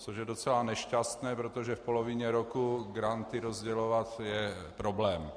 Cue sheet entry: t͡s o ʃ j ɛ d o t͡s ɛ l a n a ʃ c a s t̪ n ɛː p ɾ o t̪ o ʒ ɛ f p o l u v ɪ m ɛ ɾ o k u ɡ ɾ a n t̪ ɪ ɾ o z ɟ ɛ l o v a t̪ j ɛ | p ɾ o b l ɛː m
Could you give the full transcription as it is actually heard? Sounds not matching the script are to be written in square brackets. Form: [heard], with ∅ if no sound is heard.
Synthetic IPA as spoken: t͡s o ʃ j ɛ d o t͡s ɛ l a n [ɛ] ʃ c a s t̪ n ɛː p ɾ o t̪ o ʒ ɛ f p o l [o] v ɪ [ɲ] ɛ ɾ o k u ɡ ɾ a n t̪ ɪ ɾ o z ɟ ɛ l o v a t̪ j ɛ | p ɾ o b l ɛː m